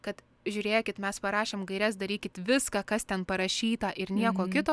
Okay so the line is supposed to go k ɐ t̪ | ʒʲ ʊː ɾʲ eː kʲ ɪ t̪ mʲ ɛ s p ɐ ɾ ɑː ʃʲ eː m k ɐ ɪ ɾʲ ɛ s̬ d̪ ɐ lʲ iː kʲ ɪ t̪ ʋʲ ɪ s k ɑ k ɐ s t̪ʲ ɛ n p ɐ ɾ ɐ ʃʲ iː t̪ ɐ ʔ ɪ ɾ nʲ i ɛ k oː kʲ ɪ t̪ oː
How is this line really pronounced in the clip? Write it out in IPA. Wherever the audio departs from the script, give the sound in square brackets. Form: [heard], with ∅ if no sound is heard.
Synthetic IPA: k ɐ t̪ | ʒʲ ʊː ɾʲ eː kʲ ɪ t̪ mʲ ɛ s p ɐ ɾ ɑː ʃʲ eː m [ɡ] ɐ ɪ ɾʲ ɛ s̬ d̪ ɐ [ɾʲ] iː kʲ ɪ t̪ ʋʲ ɪ s k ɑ k ɐ s t̪ʲ ɛ n p ɐ ɾ ɐ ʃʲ iː t̪ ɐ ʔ ɪ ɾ nʲ i ɛ k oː kʲ ɪ t̪ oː